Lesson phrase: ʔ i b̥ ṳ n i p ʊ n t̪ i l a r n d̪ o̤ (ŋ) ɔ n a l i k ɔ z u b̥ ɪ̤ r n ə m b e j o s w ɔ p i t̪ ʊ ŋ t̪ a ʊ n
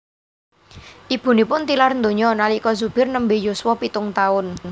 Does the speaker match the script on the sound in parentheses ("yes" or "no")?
no